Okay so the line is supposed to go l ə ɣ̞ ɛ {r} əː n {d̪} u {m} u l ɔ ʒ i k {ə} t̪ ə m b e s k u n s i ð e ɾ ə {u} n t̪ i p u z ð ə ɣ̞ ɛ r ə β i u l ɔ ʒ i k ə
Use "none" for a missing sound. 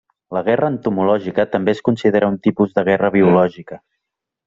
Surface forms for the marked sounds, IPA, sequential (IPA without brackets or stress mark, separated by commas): r, t̪, m, ə, u